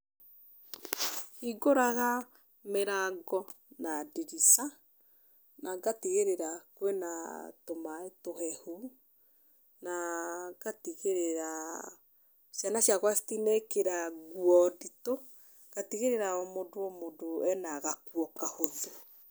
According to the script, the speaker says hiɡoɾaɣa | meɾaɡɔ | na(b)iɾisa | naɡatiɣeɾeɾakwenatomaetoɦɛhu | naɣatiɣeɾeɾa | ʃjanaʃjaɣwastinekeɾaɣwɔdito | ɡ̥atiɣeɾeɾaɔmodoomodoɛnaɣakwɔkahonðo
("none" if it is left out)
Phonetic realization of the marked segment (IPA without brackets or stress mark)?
d